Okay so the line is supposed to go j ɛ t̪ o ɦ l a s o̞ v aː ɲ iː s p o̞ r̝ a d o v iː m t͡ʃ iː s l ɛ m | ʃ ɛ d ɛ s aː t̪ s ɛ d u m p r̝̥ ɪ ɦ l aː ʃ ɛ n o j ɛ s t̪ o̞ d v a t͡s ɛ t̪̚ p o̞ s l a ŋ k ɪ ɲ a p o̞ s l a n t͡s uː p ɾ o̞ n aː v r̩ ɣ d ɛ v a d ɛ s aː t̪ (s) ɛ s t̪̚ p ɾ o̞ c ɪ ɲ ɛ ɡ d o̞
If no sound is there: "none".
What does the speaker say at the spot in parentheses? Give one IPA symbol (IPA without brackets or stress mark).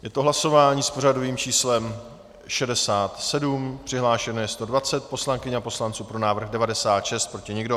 ʃ